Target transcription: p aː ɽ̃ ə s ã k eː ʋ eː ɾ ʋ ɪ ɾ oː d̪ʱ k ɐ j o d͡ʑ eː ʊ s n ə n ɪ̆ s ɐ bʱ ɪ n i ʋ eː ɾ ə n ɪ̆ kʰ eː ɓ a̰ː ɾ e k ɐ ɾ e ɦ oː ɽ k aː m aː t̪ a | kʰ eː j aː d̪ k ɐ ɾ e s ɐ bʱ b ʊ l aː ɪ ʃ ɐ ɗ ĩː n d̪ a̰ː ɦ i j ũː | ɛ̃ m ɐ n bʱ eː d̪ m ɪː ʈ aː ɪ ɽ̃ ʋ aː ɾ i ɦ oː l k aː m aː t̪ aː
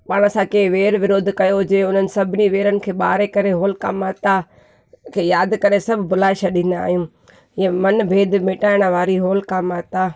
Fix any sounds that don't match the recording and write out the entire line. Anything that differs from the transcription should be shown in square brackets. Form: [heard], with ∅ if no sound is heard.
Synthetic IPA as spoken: p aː ɽ̃ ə s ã k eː ʋ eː ɾ ʋ ɪ ɾ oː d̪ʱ k ɐ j o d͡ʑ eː ʊ [∅] n ə n ɪ̆ s ɐ bʱ ɪ n i ʋ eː ɾ ə n ɪ̆ kʰ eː ɓ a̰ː ɾ e k ɐ ɾ e ɦ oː [l] k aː m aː t̪ a | kʰ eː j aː d̪ k ɐ ɾ e s ɐ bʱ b ʊ l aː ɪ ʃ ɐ ɗ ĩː n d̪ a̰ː ɦ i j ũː | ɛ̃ m ɐ n bʱ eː d̪ m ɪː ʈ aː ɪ ɽ̃ ʋ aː ɾ i ɦ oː l k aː m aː t̪ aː